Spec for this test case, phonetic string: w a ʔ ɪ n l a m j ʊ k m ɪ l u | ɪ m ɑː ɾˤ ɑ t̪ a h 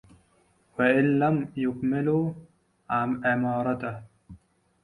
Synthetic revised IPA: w a ʔ ɪ n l a m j ʊ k m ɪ l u | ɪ m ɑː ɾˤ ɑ t̪ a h